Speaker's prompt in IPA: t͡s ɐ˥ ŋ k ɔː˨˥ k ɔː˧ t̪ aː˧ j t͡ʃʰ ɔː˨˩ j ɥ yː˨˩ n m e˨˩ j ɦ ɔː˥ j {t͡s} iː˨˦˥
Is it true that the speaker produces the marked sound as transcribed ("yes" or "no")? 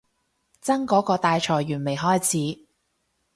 no